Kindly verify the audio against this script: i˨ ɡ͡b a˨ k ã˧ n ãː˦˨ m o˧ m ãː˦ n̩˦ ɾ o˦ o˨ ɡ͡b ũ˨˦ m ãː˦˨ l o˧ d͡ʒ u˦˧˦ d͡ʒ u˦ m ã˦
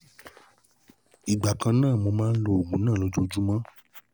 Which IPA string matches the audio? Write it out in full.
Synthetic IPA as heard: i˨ ɡ͡b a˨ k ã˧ n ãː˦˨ m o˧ m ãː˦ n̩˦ l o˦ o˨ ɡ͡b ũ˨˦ n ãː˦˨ l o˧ d͡ʒ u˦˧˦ d͡ʒ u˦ m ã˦